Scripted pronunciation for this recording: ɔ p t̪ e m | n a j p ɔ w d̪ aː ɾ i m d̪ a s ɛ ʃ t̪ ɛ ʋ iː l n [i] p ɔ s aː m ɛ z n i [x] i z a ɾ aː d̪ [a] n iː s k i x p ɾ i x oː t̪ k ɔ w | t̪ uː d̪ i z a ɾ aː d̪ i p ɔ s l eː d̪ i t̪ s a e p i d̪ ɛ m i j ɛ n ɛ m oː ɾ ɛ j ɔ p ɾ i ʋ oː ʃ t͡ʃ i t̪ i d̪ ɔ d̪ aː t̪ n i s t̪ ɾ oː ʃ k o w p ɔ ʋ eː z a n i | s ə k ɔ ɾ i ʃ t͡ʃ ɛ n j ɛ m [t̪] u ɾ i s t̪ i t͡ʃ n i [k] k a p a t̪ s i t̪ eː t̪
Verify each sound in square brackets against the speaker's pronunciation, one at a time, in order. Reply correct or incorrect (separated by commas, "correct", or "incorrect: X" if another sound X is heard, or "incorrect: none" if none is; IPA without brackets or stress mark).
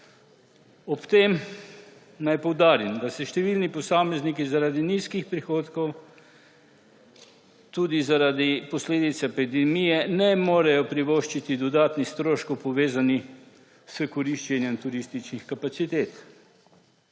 correct, incorrect: k, incorrect: i, correct, incorrect: x